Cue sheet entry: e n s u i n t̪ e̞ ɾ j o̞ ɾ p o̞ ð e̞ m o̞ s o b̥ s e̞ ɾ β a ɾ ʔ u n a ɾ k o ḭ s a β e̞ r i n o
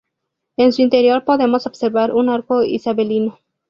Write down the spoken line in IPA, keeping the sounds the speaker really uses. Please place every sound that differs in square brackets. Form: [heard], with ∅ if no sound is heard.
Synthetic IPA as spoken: e n s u i n t̪ e̞ ɾ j o̞ ɾ p o̞ ð e̞ m o̞ s o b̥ s e̞ ɾ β a ɾ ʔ u n a ɾ k o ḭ s a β e̞ [l] i n o